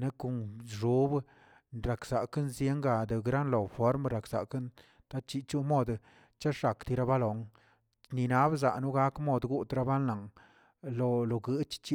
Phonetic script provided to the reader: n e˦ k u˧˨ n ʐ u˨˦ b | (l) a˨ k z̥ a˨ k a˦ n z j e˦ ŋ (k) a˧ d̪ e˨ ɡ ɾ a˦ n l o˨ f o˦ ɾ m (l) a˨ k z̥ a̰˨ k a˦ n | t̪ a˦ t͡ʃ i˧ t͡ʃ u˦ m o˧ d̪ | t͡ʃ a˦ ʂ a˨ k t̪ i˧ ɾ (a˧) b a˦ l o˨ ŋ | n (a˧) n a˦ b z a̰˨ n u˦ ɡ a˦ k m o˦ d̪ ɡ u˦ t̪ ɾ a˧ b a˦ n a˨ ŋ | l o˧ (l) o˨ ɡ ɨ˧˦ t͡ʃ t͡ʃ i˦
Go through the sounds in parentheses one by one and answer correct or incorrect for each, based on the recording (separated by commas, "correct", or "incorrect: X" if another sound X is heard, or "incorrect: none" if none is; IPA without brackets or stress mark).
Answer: incorrect: ɾ, incorrect: ɡ, incorrect: ɾ, correct, incorrect: i˧, correct